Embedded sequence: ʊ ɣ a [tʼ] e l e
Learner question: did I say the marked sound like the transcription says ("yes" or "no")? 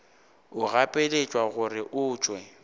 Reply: no